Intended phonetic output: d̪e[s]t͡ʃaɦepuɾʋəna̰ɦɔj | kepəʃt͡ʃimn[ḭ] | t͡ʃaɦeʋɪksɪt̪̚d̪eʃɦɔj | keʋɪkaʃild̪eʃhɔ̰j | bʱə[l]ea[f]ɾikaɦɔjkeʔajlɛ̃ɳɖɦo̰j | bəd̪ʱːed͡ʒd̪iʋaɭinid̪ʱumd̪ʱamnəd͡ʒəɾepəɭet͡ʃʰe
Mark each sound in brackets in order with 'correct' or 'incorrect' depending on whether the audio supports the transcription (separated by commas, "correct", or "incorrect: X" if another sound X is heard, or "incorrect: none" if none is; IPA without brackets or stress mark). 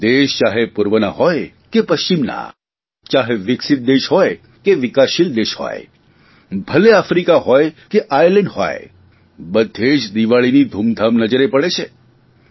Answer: incorrect: ʃ, incorrect: a̰, correct, correct